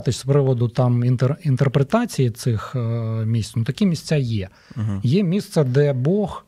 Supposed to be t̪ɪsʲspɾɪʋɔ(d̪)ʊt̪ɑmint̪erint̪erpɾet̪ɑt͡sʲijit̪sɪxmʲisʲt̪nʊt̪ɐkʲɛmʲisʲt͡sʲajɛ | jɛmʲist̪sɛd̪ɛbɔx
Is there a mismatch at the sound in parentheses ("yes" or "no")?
no